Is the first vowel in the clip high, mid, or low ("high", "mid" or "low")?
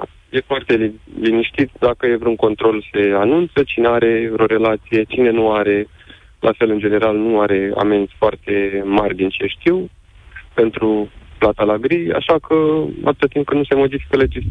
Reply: mid